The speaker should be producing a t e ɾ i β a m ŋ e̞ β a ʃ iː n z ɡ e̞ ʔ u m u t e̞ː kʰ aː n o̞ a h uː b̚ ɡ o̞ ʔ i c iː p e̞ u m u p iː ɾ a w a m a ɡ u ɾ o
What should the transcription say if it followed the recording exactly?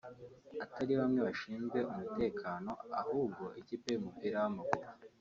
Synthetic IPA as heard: a t a ɾ i β a m ŋ e̞ β a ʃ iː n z ɡ e̞ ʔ u m u t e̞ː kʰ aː n o̞ a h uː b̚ ɡ o̞ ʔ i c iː p e̞ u m u p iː ɾ a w a m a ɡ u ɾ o